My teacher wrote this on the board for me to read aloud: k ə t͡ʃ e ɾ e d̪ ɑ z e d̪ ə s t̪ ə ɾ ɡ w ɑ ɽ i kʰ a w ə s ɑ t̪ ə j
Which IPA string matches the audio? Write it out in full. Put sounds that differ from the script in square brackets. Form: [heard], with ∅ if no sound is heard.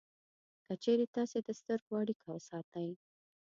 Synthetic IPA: k ə t͡ʃ e ɾ e [t̪] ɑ [s] e d̪ ə s t̪ ə ɾ ɡ w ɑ ɽ i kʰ a w ə s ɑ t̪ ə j

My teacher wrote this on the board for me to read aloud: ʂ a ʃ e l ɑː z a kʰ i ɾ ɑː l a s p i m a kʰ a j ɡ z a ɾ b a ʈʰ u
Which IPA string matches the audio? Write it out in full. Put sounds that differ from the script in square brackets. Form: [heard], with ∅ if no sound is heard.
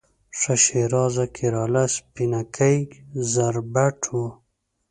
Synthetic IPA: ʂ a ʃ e [ɾ] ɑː z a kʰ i ɾ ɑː l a s p i [n] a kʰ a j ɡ z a ɾ b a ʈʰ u

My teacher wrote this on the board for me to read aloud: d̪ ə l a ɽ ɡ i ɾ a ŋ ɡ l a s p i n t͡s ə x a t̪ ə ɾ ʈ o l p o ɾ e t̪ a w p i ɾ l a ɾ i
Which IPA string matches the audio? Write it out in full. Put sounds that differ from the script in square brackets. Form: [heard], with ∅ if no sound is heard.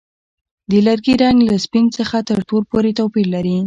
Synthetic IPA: d̪ ə l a [ɾ] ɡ i ɾ a ŋ ɡ l a s p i n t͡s ə x a t̪ ə ɾ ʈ o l p o ɾ e t̪ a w p i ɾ l a ɾ i

